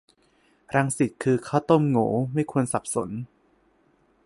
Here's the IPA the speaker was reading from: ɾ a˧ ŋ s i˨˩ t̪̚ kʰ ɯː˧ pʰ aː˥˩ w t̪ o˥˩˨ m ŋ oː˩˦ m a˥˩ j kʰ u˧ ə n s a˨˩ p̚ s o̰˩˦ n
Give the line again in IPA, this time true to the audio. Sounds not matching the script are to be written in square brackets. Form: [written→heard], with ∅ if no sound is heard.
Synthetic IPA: ɾ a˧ ŋ s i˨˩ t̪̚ kʰ ɯː˧ [pʰ→kʰ] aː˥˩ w t̪ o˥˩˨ m ŋ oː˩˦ m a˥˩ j kʰ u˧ ə n s a˨˩ p̚ s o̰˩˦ n